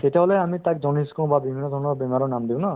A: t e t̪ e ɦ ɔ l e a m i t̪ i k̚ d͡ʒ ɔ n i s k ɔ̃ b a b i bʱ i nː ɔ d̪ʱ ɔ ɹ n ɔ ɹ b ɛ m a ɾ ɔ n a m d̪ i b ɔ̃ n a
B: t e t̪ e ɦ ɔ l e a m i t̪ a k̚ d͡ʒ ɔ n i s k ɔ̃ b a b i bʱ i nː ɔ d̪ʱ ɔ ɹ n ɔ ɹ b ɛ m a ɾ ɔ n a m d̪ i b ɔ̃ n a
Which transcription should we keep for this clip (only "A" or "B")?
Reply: B